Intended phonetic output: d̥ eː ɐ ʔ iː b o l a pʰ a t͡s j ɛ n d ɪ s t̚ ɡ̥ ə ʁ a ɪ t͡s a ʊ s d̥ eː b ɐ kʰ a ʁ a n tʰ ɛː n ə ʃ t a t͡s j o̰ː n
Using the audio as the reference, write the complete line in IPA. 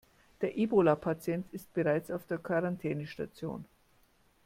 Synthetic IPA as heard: d̥ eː ɐ ʔ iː b o l a pʰ a t͡s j ɛ n t ɪ s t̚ b̥ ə ʁ a ɪ t͡s a ʊ f d̥ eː ɐ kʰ a ʁ a n tʰ ɛː n ə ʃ t a t͡s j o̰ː n